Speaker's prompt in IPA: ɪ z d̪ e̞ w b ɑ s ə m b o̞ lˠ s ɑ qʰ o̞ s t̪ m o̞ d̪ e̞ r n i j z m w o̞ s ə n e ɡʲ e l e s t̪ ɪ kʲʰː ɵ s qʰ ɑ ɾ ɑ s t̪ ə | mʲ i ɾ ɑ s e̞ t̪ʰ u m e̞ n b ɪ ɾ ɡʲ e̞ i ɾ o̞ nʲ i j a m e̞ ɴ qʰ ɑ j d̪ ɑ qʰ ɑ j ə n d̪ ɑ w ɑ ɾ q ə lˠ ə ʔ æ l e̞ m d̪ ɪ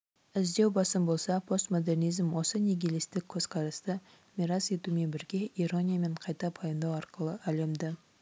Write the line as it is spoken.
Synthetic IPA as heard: ɪ z d̪ e̞ w b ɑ s ə m b o̞ lˠ s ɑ pʰ o̞ s t̪ m o̞ d̪ e̞ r n i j z m w o̞ s ə n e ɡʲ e l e s t̪ ɪ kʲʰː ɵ z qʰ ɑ ɾ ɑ s t̪ ə | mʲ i ɾ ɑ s e̞ t̪ u m e̞ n b ɪ ɾ ɡʲ e̞ i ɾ o̞ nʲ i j a m e̞ ɴ qʰ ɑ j t̪ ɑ pʰ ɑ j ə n d̪ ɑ w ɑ ɾ q ə lˠ ə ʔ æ l e̞ m d̪ ɪ